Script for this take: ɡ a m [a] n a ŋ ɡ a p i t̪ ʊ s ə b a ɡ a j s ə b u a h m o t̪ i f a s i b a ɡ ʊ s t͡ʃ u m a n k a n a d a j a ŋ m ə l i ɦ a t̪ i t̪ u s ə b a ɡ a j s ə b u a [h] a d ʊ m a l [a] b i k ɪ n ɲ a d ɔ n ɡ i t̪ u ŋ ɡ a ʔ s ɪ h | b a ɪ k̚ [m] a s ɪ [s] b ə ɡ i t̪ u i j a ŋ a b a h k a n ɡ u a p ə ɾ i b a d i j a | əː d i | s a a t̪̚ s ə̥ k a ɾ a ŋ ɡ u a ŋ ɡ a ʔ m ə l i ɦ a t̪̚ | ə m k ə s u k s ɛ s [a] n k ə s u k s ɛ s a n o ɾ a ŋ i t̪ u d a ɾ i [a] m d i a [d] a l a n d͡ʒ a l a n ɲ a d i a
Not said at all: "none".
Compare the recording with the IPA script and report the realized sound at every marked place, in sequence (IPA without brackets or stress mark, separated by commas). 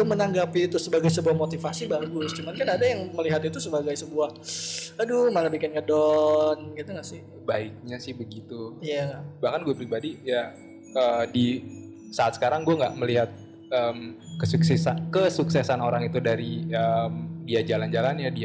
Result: ə, h, a, ɲ, h, a, ə, d͡ʒ